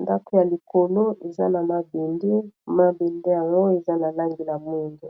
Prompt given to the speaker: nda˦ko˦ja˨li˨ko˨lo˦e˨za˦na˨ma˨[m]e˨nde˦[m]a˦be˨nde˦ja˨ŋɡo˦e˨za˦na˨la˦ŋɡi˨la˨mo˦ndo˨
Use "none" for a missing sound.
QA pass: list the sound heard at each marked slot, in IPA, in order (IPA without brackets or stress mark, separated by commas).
b, m